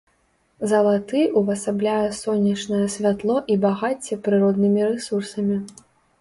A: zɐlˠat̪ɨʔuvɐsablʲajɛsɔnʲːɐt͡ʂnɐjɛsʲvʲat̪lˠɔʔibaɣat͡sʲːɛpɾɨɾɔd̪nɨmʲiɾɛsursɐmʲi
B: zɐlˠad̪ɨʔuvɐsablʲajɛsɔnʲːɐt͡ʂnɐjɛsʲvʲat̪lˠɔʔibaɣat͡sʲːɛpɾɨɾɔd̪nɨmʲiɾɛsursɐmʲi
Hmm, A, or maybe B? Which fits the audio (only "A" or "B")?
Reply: A